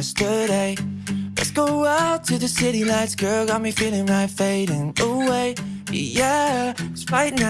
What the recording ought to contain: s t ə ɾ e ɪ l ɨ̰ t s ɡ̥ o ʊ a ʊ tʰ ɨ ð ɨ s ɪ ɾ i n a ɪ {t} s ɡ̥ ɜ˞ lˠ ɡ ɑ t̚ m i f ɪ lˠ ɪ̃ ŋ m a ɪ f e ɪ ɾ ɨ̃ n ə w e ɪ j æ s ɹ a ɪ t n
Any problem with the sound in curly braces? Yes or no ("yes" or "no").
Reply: no